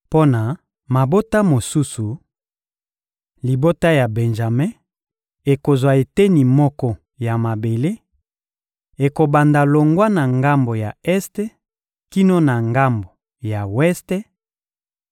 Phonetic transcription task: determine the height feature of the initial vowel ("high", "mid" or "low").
mid